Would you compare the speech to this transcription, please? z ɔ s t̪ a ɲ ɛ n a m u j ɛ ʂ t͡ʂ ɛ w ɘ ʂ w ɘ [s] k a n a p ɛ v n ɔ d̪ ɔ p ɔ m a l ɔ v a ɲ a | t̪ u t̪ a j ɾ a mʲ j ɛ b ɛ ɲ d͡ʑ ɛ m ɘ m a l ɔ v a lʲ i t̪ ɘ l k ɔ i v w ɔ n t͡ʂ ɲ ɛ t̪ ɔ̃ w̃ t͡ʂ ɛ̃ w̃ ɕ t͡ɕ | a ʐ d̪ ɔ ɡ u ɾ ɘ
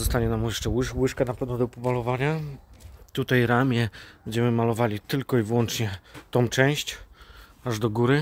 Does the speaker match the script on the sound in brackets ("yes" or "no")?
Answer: no